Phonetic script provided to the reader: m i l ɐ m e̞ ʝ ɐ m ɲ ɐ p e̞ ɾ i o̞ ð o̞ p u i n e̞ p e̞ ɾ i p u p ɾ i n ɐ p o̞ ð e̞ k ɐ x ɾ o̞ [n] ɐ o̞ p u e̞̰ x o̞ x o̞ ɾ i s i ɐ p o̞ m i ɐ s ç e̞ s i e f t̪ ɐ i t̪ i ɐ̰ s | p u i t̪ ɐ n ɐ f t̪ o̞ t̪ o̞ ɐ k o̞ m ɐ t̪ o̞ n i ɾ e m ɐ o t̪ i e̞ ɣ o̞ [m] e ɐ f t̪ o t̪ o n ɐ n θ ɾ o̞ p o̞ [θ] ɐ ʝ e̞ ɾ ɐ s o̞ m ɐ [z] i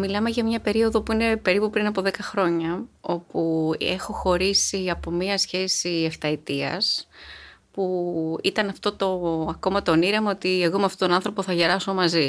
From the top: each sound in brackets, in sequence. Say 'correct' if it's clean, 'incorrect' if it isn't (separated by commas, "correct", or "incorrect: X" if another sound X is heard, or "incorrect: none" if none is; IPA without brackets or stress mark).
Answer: incorrect: ɲ, correct, correct, correct